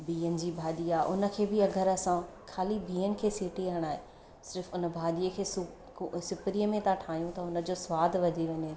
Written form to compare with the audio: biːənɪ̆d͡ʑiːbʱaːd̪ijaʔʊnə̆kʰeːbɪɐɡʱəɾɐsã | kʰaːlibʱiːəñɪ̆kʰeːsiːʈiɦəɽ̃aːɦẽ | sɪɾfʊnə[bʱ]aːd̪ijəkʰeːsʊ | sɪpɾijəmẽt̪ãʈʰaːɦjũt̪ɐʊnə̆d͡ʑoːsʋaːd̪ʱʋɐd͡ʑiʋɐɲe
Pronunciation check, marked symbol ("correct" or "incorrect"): correct